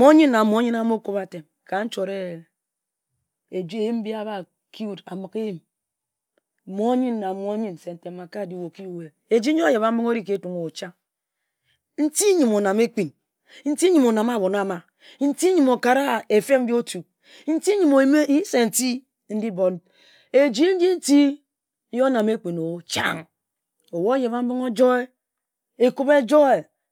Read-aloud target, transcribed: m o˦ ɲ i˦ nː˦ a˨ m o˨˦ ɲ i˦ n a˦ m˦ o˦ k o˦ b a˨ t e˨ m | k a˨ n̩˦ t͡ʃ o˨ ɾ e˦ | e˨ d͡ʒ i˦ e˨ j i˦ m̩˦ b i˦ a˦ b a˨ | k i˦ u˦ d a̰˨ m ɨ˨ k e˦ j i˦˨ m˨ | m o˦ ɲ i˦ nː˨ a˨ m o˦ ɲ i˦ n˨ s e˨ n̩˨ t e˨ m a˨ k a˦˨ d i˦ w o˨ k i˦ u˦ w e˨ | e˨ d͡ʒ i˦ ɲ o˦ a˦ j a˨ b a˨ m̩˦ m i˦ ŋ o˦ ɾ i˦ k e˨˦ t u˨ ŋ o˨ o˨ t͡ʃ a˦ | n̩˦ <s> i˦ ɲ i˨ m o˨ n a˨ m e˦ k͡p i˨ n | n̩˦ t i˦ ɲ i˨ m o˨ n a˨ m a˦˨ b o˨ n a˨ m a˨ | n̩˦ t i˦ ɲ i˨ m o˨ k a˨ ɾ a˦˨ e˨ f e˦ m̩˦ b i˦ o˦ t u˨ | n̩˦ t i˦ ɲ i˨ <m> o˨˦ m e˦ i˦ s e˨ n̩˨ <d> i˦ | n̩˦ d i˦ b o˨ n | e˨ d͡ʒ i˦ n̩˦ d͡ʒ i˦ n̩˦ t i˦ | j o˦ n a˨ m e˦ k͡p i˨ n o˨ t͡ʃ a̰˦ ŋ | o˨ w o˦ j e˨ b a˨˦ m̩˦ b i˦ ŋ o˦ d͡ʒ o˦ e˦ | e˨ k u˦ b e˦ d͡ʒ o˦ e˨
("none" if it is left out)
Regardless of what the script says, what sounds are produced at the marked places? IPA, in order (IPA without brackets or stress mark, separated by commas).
t, m, t